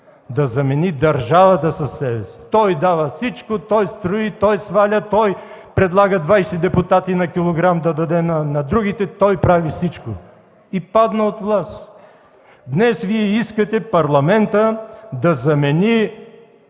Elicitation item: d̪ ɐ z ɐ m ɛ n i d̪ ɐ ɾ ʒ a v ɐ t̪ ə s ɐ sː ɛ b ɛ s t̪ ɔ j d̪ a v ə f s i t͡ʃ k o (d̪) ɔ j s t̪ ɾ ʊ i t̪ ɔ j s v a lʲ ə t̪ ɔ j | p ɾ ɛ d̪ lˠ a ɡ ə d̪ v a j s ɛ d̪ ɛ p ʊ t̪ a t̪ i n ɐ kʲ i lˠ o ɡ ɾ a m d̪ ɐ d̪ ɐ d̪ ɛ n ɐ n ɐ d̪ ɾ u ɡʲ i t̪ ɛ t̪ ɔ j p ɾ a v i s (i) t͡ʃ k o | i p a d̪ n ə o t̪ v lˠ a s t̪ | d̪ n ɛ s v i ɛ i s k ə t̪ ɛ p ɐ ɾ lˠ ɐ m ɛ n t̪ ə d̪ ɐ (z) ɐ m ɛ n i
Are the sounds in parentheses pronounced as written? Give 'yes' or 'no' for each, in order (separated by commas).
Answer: no, yes, yes